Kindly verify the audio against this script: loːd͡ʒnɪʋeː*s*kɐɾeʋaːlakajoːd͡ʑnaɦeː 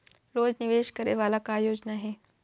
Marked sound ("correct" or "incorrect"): incorrect